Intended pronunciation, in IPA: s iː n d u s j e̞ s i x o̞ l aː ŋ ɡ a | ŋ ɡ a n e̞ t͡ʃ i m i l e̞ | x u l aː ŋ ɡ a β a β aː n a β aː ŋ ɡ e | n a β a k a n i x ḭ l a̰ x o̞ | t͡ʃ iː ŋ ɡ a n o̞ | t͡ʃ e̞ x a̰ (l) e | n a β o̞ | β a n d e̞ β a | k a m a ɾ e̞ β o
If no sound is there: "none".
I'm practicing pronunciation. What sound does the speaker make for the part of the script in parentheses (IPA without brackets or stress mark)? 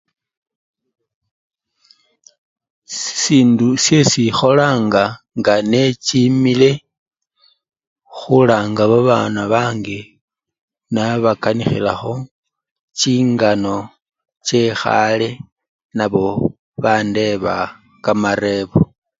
l